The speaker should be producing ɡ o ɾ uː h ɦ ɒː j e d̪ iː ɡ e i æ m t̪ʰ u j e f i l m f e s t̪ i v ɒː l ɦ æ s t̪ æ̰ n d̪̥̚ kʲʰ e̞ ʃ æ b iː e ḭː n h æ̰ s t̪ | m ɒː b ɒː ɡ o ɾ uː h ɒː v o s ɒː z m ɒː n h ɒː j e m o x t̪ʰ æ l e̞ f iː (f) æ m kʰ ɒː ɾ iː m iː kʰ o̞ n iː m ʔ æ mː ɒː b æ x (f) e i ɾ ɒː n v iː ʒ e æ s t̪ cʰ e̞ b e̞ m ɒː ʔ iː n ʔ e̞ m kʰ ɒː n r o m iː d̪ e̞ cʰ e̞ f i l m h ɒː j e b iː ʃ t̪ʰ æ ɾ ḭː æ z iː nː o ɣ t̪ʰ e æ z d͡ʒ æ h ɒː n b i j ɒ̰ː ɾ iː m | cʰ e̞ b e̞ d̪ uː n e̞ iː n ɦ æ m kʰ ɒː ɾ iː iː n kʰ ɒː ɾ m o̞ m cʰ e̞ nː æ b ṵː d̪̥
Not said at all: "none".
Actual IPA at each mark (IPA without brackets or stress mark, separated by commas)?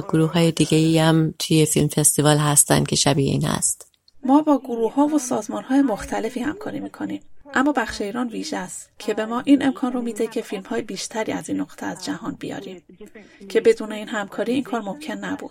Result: h, ʃ